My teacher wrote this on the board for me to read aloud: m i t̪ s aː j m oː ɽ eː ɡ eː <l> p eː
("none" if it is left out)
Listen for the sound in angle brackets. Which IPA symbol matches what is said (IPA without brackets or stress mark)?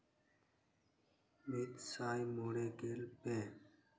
l